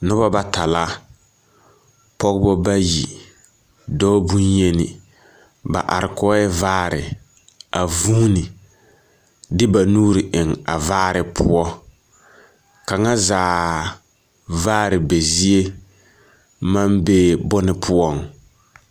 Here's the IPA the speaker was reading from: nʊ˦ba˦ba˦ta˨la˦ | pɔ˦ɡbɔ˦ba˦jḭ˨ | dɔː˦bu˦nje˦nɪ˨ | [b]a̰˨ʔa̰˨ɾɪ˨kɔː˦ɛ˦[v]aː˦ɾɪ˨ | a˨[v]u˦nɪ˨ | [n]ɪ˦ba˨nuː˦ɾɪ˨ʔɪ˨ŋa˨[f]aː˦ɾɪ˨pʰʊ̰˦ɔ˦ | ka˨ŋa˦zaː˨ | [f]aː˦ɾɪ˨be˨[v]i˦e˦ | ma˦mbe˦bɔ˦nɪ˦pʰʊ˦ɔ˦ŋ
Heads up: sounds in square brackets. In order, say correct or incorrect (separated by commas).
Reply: correct, correct, correct, incorrect, incorrect, incorrect, incorrect